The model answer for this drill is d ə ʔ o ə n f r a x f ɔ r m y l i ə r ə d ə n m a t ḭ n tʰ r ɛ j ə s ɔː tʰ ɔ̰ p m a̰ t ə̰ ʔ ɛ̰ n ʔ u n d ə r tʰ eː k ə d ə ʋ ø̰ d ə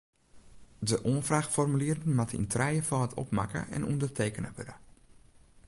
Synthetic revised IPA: d ə ʔ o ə n f r a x f ɔ r m y l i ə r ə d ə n m a t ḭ n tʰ r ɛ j ə f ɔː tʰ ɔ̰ p m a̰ k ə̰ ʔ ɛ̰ n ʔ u n d ə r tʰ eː k ə n ə ʋ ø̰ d ə